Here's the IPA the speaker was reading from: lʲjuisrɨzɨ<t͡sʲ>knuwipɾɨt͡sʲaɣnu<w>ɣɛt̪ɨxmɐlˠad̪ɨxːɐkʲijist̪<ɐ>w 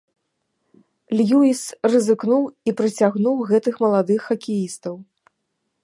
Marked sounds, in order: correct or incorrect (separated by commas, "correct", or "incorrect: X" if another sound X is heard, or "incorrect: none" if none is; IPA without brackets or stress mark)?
incorrect: none, correct, correct